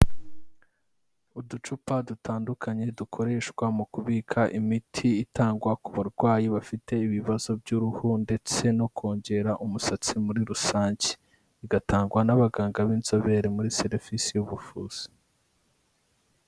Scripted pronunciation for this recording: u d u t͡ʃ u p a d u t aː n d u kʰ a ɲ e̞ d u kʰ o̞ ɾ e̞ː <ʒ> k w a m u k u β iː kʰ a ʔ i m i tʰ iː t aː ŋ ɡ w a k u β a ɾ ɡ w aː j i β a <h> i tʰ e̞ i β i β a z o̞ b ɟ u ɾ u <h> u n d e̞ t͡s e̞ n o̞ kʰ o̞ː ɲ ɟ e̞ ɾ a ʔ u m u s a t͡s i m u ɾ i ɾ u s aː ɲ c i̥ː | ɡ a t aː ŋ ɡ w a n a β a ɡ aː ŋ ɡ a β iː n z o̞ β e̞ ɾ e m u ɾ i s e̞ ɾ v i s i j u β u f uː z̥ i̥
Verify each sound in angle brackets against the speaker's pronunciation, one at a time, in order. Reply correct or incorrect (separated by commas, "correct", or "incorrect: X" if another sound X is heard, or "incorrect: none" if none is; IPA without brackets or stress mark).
incorrect: ʃ, incorrect: f, correct